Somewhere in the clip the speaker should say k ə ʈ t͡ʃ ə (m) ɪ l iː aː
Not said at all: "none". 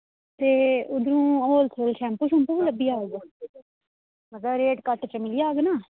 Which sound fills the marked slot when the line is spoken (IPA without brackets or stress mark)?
m